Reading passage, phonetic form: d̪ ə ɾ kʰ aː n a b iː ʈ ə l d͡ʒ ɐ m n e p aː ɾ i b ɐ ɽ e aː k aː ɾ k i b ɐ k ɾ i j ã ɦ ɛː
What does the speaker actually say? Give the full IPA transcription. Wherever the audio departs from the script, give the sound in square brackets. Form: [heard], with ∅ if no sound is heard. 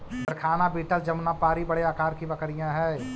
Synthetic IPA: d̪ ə ɾ kʰ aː n a b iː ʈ ə l d͡ʒ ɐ m n [a] p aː ɾ i b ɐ ɽ e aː k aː ɾ k i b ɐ k ɾ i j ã ɦ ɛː